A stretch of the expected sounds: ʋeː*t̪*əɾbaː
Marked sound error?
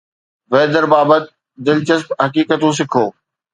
yes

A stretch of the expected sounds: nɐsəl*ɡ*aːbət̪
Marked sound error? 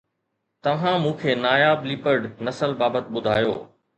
yes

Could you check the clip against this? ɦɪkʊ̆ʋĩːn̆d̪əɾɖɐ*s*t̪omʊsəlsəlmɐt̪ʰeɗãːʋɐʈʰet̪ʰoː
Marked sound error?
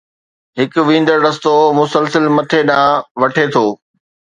no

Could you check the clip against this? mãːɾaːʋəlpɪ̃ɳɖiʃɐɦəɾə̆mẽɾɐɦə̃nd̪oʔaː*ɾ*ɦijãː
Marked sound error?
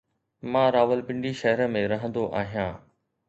yes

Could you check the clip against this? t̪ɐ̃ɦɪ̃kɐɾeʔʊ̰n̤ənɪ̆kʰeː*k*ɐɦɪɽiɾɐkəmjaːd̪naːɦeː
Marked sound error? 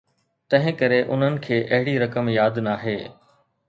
yes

